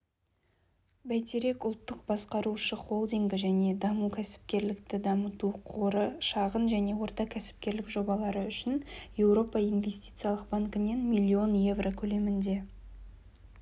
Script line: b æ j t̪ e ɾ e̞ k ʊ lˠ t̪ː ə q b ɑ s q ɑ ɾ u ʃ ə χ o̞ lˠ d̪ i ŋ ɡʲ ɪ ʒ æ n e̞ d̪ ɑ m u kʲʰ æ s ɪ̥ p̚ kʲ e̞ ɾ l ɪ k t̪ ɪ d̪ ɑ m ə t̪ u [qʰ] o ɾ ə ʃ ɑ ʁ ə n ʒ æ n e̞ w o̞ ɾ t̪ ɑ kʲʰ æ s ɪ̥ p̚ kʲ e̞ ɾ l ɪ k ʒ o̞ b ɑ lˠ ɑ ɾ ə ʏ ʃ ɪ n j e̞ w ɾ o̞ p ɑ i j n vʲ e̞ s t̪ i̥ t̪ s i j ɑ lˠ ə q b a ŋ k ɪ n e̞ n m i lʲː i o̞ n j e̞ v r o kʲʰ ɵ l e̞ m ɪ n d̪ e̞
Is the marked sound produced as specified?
yes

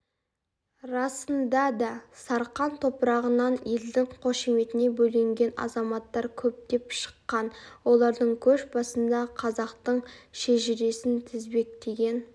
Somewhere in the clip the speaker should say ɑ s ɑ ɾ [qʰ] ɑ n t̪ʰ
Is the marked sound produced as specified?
no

